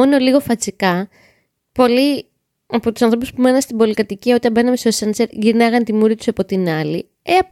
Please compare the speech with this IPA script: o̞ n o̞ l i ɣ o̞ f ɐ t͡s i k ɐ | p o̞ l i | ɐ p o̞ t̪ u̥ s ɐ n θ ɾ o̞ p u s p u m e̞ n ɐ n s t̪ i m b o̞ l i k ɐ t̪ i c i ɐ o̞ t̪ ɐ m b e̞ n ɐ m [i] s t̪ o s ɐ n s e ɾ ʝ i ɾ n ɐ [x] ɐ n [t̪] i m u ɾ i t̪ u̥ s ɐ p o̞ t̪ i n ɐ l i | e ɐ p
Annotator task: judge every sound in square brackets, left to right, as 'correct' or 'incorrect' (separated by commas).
incorrect, incorrect, correct